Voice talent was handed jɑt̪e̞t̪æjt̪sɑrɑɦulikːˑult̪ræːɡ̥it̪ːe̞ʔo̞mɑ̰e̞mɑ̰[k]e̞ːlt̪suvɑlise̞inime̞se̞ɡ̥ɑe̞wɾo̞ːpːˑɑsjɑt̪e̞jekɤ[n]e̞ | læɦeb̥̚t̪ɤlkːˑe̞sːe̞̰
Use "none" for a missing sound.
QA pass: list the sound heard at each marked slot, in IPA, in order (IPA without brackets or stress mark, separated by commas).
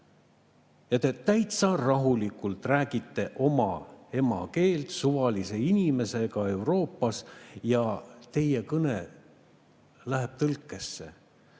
k, n